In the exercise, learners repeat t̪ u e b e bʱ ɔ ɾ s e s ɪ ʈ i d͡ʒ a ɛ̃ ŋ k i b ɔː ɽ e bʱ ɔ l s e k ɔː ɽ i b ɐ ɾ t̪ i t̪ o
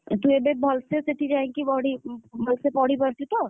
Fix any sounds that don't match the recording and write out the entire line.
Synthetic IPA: t̪ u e b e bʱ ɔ l s e s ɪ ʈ i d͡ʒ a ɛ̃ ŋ k i b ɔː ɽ i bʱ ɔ l s e p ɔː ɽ i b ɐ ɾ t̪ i t̪ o